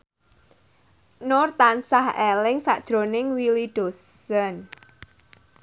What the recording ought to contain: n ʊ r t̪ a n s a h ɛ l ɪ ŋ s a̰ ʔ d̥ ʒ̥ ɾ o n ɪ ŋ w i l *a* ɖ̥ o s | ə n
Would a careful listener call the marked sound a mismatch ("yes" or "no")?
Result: yes